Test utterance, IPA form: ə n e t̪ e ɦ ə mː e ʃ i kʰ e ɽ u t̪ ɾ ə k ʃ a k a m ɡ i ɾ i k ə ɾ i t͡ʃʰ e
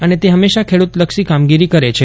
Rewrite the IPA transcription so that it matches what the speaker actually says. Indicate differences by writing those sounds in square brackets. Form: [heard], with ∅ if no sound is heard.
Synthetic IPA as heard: ə n e t̪ e ɦ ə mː e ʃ [a] kʰ e ɽ u t̪ [l] ə k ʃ [i] k a m ɡ i ɾ i k ə ɾ [e] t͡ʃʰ e